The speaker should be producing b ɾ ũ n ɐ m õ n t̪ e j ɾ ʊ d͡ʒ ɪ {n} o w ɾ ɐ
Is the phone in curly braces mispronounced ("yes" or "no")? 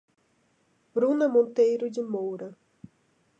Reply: yes